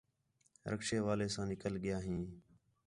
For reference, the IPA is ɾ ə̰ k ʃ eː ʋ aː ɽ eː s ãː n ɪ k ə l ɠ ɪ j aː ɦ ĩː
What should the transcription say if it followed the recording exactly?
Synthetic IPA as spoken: ɾ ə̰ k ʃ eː ʋ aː l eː s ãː n ɪ k ə l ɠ ɪ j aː ɦ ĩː